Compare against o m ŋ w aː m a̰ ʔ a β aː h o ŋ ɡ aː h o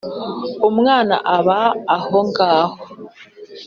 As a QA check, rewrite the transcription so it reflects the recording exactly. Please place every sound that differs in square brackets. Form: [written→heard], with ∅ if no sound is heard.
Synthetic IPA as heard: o m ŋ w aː [m→n] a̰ ʔ a β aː h o ŋ ɡ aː h o